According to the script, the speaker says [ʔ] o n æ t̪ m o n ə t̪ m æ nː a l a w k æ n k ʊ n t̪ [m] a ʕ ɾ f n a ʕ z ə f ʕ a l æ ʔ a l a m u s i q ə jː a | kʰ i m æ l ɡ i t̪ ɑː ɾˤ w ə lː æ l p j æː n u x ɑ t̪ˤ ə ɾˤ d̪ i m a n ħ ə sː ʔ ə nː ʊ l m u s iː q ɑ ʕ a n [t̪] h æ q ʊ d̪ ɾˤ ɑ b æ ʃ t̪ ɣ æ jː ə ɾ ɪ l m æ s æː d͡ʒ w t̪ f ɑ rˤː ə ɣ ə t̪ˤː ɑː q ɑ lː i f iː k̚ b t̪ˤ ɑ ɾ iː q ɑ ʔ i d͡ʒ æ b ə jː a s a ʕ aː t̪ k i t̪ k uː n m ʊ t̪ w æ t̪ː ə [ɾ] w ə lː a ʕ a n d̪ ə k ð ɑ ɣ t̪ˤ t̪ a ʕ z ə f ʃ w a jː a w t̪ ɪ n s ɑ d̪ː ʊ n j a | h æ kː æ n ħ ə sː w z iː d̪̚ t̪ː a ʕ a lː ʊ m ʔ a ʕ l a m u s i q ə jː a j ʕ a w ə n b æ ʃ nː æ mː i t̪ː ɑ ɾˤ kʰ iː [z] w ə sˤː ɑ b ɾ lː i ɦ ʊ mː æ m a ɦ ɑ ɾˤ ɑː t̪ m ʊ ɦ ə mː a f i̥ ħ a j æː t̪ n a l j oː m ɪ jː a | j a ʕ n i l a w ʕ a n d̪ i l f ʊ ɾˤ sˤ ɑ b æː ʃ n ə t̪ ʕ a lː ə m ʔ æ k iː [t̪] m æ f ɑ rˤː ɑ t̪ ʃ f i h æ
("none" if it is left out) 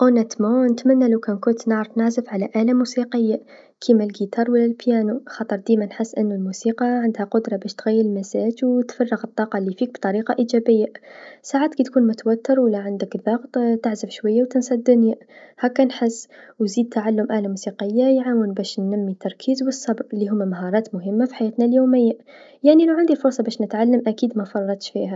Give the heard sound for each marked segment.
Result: ʔ, n, d̪, ɾ, z, d̪

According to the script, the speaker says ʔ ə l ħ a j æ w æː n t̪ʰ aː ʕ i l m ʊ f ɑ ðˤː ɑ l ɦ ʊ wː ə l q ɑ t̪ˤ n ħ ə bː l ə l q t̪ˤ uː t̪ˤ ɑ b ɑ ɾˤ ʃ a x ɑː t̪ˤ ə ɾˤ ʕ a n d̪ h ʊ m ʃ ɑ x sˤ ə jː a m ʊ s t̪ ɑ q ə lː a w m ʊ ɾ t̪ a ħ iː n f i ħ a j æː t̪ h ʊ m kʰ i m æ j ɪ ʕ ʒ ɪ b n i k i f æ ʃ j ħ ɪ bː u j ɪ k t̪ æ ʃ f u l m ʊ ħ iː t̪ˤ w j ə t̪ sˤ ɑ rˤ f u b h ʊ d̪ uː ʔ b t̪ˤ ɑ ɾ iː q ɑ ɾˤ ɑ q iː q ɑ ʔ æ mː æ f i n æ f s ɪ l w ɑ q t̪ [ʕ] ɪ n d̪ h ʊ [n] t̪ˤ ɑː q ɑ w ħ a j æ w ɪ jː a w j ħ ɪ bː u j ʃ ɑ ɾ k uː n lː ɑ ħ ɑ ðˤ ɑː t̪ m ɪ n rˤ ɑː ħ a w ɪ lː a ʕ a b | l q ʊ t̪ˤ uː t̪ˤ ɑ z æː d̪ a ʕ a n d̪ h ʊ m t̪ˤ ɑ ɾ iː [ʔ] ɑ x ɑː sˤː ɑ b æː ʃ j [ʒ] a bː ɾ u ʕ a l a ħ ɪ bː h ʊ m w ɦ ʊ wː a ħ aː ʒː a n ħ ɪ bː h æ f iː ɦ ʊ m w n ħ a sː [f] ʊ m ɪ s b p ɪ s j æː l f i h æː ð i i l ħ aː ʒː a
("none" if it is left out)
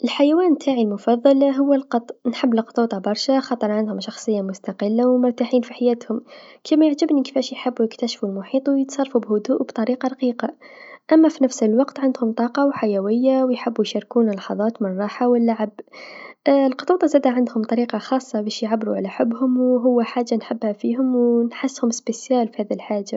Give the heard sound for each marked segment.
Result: ʕ, m, q, ʕ, h

